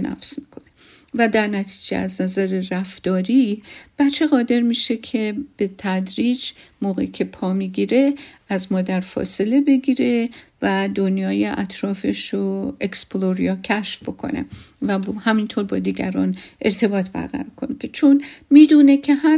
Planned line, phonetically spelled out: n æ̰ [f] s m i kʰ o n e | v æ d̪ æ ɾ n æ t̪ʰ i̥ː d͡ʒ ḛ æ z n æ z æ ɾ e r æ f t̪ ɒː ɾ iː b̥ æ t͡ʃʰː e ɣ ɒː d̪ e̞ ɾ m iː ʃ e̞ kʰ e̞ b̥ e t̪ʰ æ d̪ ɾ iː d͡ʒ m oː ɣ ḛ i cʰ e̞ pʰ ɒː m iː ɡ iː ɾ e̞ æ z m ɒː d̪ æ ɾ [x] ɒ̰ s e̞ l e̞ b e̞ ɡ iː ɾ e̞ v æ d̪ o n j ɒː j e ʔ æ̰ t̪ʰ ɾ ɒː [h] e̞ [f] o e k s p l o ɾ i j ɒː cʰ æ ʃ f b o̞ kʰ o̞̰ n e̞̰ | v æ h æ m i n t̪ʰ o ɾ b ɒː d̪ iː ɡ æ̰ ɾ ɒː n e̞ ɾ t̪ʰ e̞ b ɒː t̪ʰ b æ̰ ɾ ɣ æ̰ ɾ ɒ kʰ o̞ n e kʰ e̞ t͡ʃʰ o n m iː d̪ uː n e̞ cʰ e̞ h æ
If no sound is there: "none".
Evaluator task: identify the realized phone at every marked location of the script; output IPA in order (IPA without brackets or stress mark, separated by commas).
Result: f, f, f, ʃ